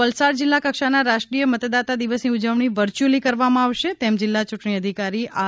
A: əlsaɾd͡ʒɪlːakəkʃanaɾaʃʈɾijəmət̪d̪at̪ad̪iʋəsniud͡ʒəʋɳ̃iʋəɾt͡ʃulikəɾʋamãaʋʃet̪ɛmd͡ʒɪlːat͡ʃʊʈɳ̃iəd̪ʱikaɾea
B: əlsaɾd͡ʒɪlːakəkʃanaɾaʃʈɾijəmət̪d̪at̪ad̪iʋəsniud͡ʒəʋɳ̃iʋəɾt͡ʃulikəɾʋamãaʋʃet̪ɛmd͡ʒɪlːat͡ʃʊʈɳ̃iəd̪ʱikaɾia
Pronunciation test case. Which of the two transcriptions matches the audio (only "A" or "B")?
B